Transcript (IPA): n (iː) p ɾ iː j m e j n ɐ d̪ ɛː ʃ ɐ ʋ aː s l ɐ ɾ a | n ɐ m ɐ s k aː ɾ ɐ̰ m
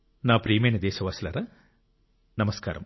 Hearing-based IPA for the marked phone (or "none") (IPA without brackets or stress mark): aː